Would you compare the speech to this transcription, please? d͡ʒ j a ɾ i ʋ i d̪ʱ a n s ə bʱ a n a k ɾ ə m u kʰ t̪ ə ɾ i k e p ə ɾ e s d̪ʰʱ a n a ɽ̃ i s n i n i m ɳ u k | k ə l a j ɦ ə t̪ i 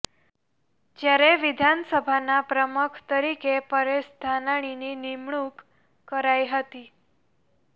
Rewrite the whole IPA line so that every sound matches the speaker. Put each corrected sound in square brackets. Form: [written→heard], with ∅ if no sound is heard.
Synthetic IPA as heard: d͡ʒ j a ɾ [i→e] ʋ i d̪ʱ a n s ə bʱ a n a [k→p] ɾ ə m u kʰ t̪ ə ɾ i k e p ə ɾ e s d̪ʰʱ a n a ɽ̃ i [s→∅] n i n i m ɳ u k | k ə [l→ɾ] a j ɦ ə t̪ i